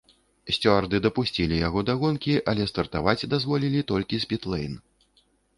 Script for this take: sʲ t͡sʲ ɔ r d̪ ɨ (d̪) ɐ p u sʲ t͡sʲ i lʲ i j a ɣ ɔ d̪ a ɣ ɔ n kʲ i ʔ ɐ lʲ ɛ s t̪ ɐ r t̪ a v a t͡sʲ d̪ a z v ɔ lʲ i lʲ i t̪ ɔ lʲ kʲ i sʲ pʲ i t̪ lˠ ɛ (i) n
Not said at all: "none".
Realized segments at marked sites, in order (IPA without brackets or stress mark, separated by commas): d̪, j